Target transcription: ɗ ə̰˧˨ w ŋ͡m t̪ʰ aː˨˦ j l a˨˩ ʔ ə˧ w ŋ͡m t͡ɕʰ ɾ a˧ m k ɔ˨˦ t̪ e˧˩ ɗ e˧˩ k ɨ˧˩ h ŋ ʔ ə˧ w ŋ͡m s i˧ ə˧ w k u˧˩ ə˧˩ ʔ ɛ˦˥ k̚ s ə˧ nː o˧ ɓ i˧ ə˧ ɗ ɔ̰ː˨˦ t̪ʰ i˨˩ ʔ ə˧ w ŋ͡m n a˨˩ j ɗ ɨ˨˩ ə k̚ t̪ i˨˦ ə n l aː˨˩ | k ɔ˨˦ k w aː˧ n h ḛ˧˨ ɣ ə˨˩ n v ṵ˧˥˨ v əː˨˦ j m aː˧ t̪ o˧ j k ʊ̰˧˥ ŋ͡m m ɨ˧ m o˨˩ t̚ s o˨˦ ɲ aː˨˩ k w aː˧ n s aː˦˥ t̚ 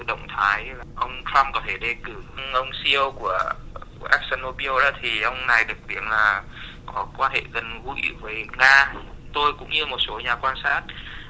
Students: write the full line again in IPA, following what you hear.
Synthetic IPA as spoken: ɗ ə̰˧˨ w ŋ͡m t̪ʰ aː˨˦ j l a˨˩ ʔ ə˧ w ŋ͡m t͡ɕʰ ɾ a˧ m k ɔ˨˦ t̪ʰ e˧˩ ɗ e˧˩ k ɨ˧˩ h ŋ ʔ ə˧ w ŋ͡m s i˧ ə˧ w k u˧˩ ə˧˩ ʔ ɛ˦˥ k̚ s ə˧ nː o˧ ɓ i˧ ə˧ ɗ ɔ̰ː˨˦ t̪ʰ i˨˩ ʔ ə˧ w ŋ͡m n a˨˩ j ɗ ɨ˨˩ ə k̚ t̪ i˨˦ ə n l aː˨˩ | k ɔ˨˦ k w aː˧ n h ḛ˧˨ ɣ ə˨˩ n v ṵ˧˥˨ v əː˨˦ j ŋ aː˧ t̪ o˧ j k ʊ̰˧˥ ŋ͡m ɲ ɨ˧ m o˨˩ t̚ s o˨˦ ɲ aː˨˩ k w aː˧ n s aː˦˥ t̚